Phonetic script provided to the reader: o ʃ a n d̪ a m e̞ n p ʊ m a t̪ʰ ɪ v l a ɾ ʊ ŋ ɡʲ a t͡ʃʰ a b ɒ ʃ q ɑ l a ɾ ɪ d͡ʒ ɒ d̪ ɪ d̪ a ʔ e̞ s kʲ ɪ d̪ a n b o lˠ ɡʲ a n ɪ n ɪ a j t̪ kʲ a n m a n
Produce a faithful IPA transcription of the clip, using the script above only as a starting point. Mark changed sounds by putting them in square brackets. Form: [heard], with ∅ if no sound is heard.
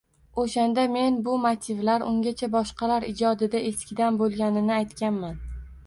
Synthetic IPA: o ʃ a n d̪ a m e̞ n [b] ʊ m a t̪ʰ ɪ v l a ɾ ʊ ŋ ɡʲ a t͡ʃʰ a b ɒ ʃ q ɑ l a ɾ ɪ d͡ʒ ɒ d̪ ɪ d̪ a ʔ e̞ s kʲ ɪ d̪ a n b o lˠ ɡʲ a n ɪ n ɪ a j t̪ kʲ a n m a n